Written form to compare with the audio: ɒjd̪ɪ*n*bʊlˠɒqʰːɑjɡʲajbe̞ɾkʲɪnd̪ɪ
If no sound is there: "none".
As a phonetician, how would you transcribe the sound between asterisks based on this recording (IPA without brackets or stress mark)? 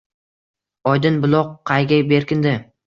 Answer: n